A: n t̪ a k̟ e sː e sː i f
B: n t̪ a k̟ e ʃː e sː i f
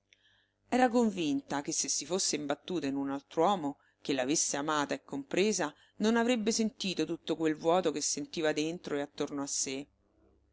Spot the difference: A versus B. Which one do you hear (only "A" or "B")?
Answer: A